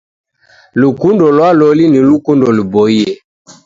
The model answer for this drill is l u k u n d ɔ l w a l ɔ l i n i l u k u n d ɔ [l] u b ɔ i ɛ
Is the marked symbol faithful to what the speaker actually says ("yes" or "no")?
yes